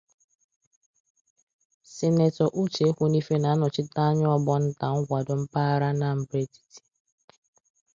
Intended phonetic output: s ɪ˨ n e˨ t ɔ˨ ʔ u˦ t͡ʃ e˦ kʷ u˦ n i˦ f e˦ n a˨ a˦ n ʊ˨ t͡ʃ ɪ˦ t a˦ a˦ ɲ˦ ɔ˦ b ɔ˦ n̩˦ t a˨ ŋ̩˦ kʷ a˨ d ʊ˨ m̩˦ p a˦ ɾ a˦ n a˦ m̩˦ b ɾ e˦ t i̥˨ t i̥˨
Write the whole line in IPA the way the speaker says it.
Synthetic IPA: s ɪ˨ n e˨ t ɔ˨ ʔ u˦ t͡ʃ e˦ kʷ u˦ n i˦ f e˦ n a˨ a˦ n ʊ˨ t͡ʃ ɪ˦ t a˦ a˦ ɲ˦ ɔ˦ b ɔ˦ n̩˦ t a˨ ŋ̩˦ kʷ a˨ d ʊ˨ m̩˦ p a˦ ɾ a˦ n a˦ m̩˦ b ɾ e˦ t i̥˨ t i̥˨

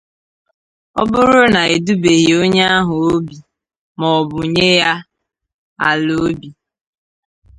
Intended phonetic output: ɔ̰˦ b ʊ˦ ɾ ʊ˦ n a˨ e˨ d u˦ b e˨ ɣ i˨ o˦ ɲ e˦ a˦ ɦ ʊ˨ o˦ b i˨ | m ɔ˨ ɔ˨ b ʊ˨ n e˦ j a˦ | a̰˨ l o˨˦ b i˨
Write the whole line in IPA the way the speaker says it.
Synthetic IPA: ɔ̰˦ b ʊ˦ ɾ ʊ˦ n a˨ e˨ d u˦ b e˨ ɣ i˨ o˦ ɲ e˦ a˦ ɦ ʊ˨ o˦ b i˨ | m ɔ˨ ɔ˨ b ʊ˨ ɲ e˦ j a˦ | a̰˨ l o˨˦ b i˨

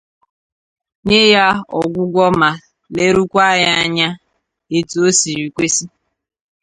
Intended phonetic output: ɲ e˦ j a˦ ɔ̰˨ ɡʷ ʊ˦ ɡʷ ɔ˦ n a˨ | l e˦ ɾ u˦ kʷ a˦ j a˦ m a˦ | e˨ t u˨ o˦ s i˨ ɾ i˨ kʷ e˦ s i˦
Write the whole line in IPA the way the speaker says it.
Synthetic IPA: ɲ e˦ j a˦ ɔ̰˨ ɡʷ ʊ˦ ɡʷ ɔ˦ m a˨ | l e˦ ɾ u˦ kʷ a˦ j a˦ ɲ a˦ | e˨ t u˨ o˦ s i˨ ɾ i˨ kʷ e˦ s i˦

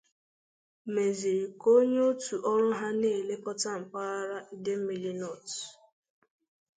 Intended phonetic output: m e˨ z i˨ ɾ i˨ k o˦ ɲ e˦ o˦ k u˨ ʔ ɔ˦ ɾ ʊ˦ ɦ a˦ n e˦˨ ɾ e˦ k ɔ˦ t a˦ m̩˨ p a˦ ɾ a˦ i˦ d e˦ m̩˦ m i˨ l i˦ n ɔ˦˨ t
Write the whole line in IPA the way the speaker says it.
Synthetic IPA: m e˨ z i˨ ɾ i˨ k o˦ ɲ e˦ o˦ t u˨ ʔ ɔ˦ ɾ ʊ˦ ɦ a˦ n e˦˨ l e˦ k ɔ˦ t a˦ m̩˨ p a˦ ɾ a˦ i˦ d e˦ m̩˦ m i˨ l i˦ n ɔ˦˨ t

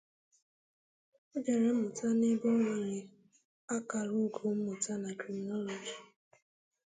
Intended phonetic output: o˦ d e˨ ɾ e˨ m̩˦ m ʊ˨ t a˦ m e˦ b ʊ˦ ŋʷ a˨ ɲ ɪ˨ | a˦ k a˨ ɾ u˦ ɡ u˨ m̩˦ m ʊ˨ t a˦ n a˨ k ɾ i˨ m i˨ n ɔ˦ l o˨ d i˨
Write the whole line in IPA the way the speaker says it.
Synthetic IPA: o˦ d͡ʒ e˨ ɾ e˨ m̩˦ m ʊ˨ t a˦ n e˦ b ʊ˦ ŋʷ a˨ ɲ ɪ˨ | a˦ k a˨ ɾ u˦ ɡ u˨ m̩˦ m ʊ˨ t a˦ n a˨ k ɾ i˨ m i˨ n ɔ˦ l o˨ d͡ʒ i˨

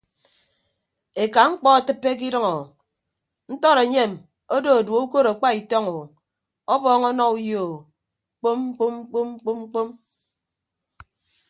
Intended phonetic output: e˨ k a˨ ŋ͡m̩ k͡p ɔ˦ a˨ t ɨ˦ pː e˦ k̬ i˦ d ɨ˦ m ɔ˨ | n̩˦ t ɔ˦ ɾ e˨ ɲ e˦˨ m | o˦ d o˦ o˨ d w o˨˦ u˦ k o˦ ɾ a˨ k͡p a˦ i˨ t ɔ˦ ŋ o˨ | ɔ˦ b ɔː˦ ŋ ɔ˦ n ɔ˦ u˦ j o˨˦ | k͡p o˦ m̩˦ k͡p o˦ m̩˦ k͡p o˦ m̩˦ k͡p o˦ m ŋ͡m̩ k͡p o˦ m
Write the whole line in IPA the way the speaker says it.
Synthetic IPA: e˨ k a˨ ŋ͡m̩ k͡p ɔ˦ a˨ t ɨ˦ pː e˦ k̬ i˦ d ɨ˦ ŋ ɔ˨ | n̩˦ t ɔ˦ ɾ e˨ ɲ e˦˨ m | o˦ d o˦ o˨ d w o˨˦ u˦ k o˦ ɾ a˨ k͡p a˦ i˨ t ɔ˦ ŋ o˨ | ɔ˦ b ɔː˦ ŋ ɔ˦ n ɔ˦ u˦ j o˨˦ | k͡p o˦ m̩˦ k͡p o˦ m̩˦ k͡p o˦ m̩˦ k͡p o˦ m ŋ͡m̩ k͡p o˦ m

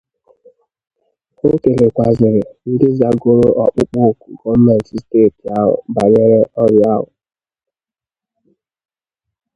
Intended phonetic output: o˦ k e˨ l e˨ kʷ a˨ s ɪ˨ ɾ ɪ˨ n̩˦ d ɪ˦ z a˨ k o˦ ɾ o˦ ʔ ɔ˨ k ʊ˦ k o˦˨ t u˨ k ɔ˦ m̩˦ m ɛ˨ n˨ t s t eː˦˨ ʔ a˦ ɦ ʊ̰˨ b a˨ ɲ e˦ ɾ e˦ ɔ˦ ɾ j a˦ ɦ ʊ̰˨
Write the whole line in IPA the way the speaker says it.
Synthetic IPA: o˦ k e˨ l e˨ kʷ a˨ z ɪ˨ ɾ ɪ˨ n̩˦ d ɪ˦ z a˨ ɡ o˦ ɾ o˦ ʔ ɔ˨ k͡p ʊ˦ k͡p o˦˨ k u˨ ɡ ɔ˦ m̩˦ m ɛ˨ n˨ t s t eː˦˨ t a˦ ɦ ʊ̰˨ b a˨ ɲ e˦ ɾ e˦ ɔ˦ ɾ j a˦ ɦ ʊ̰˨

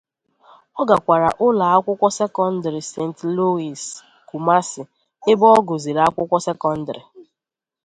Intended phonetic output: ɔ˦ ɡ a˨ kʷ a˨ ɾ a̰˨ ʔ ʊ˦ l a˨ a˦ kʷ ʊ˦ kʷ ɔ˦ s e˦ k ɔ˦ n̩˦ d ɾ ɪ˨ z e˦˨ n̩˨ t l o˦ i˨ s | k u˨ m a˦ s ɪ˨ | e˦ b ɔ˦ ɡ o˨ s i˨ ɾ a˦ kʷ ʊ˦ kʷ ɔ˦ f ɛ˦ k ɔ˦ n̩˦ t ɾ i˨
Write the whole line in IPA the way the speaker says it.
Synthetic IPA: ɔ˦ ɡ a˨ kʷ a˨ ɾ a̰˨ ʔ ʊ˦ l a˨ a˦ kʷ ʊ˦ kʷ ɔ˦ s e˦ k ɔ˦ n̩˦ d ɾ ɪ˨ s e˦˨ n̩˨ t l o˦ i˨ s | k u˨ m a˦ s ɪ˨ | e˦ b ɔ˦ ɡ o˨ z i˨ ɾ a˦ kʷ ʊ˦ kʷ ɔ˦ s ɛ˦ k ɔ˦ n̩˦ d ɾ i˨

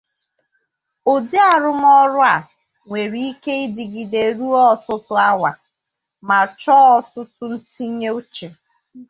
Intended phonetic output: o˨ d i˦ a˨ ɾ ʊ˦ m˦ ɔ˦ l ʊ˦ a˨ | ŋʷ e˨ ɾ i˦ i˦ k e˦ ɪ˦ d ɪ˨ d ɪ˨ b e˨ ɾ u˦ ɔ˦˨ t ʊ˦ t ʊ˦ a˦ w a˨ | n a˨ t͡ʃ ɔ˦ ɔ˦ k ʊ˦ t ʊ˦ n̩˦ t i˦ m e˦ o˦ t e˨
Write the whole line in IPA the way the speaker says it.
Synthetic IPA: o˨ d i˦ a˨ ɾ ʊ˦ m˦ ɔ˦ ɾ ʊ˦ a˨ | ŋʷ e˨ ɾ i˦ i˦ k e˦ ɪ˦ d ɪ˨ ɡ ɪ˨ d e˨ ɾ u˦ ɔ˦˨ t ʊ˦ t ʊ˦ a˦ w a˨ | m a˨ t͡ʃ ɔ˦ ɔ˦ t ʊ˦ t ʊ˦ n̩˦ t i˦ ɲ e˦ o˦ t͡ʃ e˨

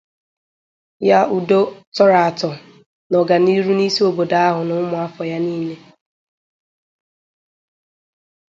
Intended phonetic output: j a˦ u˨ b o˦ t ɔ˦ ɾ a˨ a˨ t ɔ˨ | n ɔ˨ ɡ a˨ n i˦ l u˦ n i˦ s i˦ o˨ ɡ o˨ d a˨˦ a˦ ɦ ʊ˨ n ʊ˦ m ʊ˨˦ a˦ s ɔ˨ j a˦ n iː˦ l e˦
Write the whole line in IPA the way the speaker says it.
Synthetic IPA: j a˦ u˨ d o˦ t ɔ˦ ɾ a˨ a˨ t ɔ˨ | n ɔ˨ ɡ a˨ n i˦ ɾ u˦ n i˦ s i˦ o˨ b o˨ d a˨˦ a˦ ɦ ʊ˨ n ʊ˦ m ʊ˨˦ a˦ f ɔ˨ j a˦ n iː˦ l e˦

